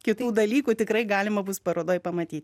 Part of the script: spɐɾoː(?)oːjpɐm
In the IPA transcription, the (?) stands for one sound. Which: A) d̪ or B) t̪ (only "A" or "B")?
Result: A